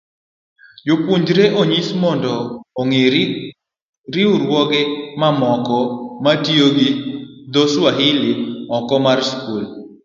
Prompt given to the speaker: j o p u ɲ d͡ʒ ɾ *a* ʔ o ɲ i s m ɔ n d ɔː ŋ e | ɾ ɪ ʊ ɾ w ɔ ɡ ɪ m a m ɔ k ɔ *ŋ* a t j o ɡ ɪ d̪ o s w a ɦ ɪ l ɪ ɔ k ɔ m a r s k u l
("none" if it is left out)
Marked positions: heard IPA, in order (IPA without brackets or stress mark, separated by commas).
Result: e, m